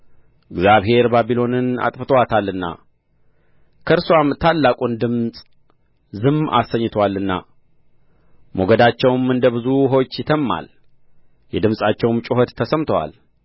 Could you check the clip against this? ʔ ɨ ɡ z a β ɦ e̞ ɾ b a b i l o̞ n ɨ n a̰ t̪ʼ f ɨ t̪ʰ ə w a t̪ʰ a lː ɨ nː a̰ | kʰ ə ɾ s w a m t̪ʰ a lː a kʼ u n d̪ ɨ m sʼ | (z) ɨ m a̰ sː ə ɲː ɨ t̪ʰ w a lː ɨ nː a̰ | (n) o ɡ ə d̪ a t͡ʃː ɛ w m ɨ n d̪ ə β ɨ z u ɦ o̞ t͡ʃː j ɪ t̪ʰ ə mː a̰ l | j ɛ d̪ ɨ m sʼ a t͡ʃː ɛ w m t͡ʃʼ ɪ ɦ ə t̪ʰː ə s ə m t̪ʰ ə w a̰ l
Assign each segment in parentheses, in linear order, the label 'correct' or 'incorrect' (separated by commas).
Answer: correct, incorrect